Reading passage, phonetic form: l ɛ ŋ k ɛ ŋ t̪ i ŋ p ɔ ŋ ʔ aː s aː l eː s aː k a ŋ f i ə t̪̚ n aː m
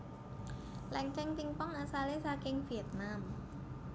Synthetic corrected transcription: l ɛ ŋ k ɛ ŋ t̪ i ŋ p ɔ ŋ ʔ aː s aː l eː s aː k e ŋ f i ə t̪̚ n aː m

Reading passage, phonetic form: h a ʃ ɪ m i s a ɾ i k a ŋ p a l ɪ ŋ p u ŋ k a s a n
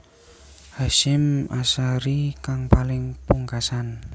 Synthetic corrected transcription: h a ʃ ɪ m a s a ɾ i k a ŋ p a l ɪ ŋ p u ŋ k a s a n

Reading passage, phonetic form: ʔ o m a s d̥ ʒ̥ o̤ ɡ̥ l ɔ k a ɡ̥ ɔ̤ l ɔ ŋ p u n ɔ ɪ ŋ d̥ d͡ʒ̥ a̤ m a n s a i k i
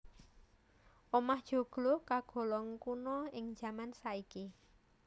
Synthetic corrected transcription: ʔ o m a h d̥ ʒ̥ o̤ ɡ̥ l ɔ k a ɡ̥ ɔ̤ l ɔ ŋ k u n ɔ ɪ ŋ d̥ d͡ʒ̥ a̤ m a n s a i k i

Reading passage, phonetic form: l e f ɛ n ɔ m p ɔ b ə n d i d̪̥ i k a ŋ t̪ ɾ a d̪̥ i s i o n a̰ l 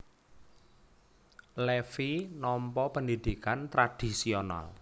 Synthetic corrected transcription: l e f i n ɔ m p ɔ p ə n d i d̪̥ i k a n t̪ ɾ a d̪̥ i s i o n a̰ l

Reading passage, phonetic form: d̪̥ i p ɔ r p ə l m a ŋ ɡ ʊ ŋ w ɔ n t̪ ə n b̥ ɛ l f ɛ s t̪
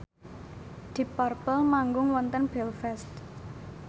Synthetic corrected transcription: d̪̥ i p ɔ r p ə l m a ŋ ɡ ʊ ŋ w ɔ n t̪ ə n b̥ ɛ l f ɛ s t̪

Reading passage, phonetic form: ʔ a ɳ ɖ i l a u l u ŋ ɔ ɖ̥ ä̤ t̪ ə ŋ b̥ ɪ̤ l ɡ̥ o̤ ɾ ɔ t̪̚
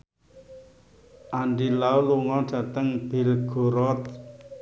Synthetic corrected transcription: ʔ a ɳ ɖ i l a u l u ŋ ɔ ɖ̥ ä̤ t̪ ə ŋ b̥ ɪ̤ l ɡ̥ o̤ ɾ ɔ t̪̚

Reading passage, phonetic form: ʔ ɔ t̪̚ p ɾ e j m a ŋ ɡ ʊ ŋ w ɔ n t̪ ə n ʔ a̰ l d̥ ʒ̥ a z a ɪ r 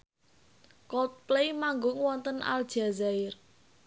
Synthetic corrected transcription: k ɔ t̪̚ p l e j m a ŋ ɡ ʊ ŋ w ɔ n t̪ ə n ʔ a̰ l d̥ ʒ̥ a z a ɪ r

